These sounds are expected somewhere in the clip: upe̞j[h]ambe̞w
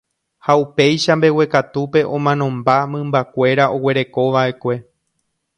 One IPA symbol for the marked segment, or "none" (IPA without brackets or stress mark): ʃ